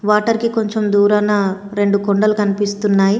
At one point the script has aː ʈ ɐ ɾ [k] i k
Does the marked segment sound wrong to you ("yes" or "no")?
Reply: no